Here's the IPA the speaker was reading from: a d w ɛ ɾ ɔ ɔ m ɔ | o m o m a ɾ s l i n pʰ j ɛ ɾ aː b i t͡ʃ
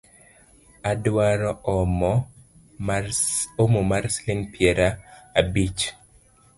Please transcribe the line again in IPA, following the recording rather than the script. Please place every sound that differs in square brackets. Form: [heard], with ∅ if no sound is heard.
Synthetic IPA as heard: a d w [a] ɾ ɔ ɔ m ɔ | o m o m a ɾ s l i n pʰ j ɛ ɾ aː b i t͡ʃ